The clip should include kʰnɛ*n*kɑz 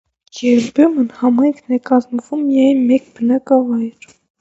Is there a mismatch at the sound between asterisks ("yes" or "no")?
yes